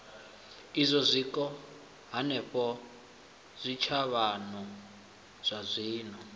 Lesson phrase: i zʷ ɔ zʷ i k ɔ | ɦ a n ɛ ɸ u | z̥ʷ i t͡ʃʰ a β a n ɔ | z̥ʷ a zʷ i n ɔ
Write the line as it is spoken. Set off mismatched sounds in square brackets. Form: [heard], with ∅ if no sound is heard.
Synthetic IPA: i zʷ ɔ zʷ i k ɔ | ɦ a n ɛ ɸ [ɔ] | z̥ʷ i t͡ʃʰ a β a n ɔ | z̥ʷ a zʷ [iː] n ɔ